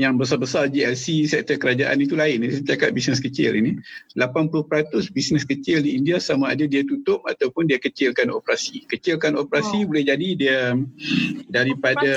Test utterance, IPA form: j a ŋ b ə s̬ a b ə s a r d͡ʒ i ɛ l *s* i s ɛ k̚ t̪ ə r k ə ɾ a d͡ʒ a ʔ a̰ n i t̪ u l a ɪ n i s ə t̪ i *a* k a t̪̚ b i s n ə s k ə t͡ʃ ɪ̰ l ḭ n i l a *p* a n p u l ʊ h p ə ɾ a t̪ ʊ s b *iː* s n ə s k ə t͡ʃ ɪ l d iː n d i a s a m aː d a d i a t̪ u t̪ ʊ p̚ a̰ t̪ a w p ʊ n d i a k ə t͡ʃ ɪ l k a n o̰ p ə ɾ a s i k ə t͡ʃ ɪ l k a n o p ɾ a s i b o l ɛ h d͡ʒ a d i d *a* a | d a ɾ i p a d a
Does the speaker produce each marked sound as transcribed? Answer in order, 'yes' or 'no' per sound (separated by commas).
yes, yes, yes, no, no